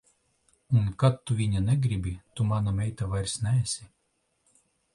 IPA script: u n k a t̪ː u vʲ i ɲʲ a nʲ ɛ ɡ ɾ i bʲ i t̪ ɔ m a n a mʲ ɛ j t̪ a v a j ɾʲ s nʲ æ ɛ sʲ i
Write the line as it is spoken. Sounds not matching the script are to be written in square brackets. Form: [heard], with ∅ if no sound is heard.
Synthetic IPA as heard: u n k a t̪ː u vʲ i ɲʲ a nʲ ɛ ɡ ɾ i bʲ i t̪ [u] m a n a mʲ ɛ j t̪ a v a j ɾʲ s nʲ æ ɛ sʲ i